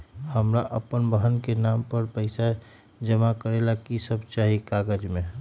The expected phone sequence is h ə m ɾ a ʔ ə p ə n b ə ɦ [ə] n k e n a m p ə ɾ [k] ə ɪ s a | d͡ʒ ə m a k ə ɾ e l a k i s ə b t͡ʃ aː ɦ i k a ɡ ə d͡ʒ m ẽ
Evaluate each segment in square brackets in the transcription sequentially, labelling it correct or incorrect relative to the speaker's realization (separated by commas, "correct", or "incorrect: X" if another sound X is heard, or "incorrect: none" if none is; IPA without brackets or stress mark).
correct, incorrect: p